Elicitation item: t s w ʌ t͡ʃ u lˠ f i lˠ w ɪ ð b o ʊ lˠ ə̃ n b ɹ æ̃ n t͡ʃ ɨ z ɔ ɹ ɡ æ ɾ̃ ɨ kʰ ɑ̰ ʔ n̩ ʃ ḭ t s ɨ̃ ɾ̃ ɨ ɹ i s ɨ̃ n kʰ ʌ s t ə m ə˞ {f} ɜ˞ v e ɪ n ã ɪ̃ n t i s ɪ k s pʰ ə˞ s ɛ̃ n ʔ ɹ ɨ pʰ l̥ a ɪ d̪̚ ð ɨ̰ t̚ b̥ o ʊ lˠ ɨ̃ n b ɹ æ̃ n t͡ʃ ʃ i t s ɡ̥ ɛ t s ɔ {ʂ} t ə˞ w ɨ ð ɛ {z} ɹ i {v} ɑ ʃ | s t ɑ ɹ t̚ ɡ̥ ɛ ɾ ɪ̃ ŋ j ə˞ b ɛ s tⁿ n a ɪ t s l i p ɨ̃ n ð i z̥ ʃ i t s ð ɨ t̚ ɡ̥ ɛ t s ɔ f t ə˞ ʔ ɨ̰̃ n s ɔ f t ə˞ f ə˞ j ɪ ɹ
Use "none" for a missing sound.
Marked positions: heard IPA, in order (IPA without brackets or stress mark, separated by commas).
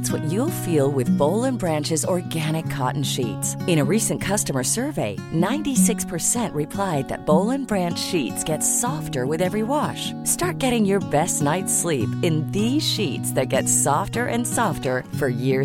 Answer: s, f, v, w